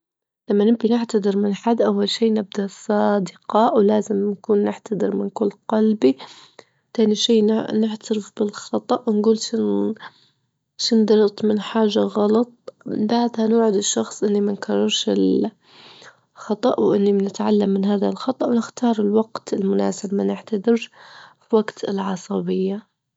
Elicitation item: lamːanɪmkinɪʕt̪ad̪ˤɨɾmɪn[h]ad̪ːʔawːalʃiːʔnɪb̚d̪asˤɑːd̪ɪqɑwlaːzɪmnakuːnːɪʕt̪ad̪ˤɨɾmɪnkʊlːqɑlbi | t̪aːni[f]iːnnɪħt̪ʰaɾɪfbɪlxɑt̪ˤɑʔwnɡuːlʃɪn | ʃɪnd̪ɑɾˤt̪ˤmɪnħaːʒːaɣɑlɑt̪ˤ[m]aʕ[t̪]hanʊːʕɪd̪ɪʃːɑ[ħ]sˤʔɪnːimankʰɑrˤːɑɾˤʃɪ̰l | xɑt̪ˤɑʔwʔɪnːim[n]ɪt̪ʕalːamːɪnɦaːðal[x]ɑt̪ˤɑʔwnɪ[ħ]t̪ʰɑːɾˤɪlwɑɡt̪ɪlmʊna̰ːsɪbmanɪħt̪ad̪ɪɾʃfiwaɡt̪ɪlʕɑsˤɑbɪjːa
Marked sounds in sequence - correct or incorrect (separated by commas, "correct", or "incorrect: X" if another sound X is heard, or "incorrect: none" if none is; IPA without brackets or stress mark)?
incorrect: ħ, incorrect: ʃ, incorrect: b, incorrect: d̪, incorrect: x, correct, correct, incorrect: x